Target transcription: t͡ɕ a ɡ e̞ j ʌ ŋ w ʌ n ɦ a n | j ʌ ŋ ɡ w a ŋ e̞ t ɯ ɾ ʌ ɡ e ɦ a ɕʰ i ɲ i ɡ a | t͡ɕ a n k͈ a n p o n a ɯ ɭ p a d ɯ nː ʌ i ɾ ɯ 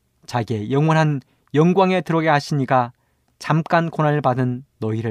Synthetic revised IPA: t͡ɕ a ɡ e̞ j ʌ ŋ w ʌ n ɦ a n | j ʌ ŋ ɡ w a ŋ e̞ t ɯ ɾ ʌ ɡ e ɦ a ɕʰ i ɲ i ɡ a | t͡ɕ a m k͈ a n k o n a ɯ ɭ p a d ɯ nː ʌ i ɾ ɯ